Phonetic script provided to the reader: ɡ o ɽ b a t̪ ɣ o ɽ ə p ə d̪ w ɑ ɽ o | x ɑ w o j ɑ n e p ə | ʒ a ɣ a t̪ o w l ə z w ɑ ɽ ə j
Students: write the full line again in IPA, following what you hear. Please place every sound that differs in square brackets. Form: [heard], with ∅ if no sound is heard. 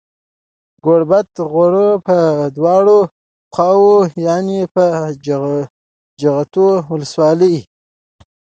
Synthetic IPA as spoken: ɡ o ɽ b a t̪ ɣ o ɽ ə p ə d̪ w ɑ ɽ o | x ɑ w o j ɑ n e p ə | [d͡ʒ] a ɣ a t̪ o w l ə [s] w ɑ [l] ə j